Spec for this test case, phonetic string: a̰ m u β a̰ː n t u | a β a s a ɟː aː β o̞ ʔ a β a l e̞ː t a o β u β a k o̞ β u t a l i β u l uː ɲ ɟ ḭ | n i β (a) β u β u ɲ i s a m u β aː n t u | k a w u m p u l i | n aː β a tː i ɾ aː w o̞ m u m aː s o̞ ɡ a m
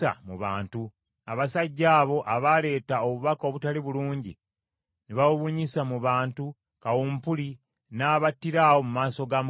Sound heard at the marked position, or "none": a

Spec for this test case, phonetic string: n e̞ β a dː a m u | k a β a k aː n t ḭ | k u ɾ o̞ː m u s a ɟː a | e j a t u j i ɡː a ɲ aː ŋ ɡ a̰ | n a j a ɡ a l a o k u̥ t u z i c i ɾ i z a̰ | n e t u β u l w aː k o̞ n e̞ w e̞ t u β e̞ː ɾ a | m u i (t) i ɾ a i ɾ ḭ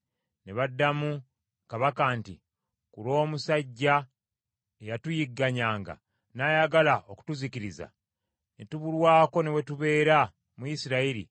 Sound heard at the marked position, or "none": s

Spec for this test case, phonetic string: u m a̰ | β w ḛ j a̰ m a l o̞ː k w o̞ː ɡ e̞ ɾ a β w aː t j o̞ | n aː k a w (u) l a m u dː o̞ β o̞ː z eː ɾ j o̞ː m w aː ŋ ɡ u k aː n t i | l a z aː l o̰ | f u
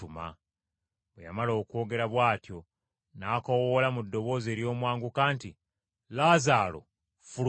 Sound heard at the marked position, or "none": o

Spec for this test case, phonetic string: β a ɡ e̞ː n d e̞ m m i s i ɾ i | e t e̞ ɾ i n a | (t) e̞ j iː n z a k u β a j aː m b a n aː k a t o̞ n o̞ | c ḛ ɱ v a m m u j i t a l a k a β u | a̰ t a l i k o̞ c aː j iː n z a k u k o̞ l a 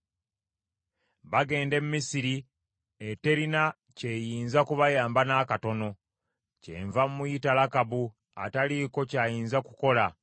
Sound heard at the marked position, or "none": c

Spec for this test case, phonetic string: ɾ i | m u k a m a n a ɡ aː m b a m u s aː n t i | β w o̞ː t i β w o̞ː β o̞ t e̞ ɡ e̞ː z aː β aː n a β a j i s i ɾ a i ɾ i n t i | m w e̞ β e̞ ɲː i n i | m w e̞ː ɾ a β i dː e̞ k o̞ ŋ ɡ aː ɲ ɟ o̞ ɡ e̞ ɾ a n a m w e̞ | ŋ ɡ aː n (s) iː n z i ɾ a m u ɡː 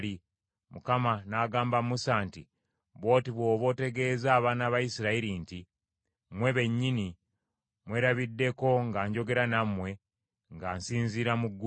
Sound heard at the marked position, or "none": s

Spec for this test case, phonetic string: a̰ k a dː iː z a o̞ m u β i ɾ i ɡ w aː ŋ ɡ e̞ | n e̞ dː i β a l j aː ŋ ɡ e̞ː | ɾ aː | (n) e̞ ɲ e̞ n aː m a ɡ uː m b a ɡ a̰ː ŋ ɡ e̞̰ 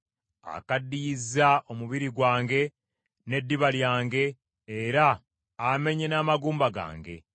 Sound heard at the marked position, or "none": m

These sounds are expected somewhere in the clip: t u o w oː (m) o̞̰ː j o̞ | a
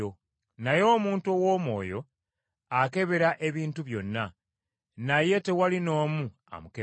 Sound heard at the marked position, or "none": m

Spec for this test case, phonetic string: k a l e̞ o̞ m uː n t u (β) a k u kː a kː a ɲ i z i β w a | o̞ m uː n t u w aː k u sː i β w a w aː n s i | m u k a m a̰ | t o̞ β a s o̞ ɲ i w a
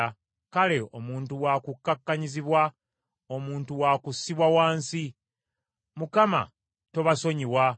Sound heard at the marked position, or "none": w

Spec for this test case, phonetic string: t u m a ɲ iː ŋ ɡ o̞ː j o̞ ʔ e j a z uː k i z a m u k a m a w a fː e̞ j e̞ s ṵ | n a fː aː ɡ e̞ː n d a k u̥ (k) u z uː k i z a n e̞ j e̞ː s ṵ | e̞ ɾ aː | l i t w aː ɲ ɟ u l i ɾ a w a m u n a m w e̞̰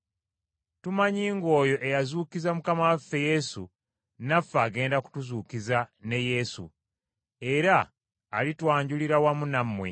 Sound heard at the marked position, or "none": t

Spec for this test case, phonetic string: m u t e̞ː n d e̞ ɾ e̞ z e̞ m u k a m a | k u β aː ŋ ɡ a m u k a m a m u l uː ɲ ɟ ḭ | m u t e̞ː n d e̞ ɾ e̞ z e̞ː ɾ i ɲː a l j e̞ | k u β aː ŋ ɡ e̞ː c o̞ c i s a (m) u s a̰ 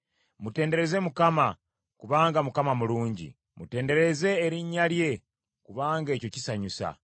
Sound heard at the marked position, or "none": ɲ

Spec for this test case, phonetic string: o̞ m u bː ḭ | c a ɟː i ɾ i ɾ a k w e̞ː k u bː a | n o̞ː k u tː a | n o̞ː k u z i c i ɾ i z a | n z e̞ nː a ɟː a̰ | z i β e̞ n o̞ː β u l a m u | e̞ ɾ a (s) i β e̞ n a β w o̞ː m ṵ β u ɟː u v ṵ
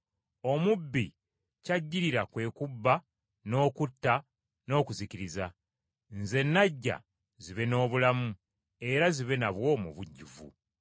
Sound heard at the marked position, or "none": z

